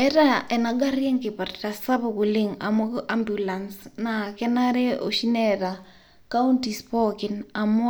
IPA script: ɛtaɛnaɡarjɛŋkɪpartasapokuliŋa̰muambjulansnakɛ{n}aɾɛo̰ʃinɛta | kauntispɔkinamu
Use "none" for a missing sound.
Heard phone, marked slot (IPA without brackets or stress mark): n